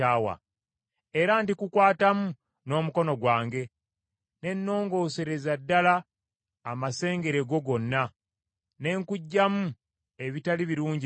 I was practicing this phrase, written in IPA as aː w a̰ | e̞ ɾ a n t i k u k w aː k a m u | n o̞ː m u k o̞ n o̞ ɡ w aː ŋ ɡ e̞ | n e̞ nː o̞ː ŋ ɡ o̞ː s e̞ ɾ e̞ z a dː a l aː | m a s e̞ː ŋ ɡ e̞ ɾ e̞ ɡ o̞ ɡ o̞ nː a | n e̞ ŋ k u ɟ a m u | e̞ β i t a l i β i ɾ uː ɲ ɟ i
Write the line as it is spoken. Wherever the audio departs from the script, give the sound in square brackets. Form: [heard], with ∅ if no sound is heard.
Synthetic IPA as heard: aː w a̰ | e̞ ɾ a n t i k u k w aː [t] a m u | n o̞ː m u k o̞ n o̞ ɡ w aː ŋ ɡ e̞ | n e̞ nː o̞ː ŋ ɡ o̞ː s e̞ ɾ e̞ z a dː a l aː | m a s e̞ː ŋ ɡ e̞ ɾ e̞ ɡ o̞ ɡ o̞ nː a | n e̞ ŋ k u [ɟː] a m u | e̞ β i t a l i β i ɾ uː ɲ ɟ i

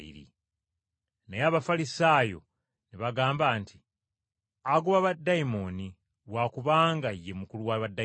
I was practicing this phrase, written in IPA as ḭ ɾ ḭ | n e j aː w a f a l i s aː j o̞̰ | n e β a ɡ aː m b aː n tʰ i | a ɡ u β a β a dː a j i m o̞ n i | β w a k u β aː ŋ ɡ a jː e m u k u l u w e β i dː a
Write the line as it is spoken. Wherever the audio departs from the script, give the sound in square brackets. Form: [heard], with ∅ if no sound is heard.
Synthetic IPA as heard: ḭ ɾ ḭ | n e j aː [β] a f a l i s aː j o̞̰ | n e β a ɡ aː m b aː n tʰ i | a ɡ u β a β a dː a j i m o̞ n i | β w a k u β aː ŋ ɡ a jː e m u k u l u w [a] β [a] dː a

